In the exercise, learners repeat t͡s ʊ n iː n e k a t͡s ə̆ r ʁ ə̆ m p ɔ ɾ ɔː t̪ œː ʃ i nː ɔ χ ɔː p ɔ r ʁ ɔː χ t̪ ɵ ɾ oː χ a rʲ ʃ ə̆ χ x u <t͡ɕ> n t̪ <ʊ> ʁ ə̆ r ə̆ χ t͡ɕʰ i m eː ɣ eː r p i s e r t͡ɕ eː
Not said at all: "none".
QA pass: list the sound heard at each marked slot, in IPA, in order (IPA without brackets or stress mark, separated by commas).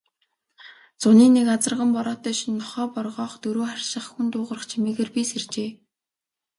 none, ʊː